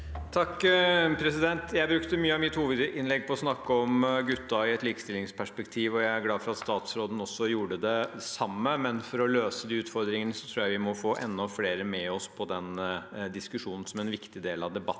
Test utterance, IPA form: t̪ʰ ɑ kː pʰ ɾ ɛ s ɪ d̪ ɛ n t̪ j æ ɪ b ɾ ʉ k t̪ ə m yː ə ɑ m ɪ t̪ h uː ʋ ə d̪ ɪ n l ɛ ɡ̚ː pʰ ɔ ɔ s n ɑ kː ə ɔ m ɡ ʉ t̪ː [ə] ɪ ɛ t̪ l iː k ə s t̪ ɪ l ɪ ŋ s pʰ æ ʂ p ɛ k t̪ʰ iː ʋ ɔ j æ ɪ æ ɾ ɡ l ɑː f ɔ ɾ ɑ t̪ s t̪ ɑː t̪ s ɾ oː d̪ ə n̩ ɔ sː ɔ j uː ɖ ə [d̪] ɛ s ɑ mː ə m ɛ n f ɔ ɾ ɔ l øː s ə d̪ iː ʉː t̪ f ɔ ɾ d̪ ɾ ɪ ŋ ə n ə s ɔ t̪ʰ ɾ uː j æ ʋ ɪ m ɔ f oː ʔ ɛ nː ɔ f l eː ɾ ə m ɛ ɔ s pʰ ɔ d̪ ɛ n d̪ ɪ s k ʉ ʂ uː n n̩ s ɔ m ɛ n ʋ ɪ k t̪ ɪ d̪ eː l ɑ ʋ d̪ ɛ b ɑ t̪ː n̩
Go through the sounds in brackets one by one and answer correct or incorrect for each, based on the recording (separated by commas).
incorrect, correct